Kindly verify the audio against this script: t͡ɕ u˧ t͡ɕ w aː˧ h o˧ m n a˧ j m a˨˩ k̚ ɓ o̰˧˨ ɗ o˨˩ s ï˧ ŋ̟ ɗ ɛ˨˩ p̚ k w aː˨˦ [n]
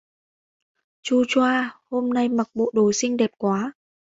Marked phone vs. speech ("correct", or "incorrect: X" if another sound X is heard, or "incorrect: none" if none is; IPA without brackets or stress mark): incorrect: none